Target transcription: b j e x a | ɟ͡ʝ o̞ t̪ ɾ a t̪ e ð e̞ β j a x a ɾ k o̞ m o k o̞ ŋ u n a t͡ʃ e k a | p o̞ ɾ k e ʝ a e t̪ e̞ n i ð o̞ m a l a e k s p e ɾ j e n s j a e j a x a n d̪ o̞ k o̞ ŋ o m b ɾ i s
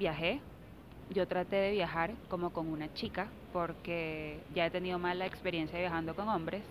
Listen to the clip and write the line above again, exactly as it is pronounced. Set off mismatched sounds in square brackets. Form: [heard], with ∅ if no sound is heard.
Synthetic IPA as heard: b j [a] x [e] | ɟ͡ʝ o̞ t̪ ɾ a t̪ e ð e̞ β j a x a ɾ k o̞ m o k o̞ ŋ u n a t͡ʃ [i] k a | p o̞ ɾ k e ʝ a e t̪ e̞ n i ð o̞ m a l a e k s p e ɾ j e n s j a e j a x a n d̪ o̞ k o̞ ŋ o m b ɾ [e] s